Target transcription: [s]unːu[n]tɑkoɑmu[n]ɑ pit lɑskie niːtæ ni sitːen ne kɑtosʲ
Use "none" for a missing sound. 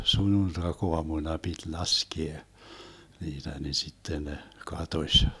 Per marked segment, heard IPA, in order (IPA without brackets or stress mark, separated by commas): s, n, n